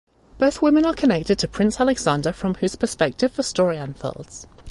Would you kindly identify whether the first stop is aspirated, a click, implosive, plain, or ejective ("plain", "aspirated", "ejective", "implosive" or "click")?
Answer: plain